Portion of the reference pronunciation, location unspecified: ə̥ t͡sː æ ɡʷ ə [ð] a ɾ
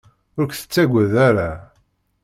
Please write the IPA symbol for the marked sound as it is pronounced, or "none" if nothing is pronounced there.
ð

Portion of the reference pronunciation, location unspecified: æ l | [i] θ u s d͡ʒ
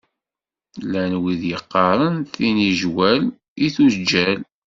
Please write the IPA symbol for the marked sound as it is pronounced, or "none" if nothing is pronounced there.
i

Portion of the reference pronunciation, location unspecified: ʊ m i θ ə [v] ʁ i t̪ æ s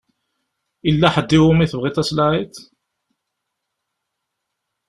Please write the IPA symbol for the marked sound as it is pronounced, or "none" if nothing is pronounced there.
v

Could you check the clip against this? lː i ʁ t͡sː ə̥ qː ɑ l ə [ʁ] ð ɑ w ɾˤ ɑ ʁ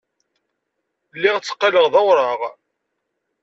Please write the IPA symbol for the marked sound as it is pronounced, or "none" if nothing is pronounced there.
ʁ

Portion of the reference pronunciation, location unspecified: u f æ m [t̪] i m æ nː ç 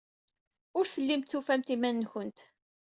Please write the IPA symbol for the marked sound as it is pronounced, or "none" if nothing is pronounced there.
t̪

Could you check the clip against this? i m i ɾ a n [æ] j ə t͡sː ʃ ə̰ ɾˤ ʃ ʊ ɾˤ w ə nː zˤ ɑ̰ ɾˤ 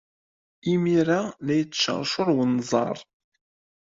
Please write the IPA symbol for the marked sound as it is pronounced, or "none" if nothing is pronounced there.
æ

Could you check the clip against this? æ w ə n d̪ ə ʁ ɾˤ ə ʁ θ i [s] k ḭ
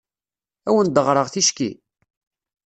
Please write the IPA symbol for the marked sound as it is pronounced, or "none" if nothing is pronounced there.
ʃ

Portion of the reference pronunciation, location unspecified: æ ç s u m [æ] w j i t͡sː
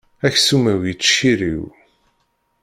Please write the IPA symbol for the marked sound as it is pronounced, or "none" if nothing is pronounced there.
æ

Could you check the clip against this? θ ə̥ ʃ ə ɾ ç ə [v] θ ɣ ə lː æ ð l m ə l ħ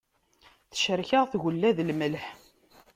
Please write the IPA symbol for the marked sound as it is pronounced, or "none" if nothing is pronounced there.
ʁ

